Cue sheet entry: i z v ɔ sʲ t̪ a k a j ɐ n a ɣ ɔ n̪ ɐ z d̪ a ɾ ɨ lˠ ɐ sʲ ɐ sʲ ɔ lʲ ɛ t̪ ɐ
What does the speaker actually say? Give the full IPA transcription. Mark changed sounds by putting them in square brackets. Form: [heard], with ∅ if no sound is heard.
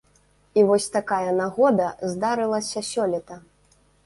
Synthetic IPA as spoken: i [∅] v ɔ sʲ t̪ a k a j ɐ n a ɣ ɔ [d̪] ɐ z d̪ a ɾ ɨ lˠ ɐ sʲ ɐ sʲ ɔ lʲ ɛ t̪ ɐ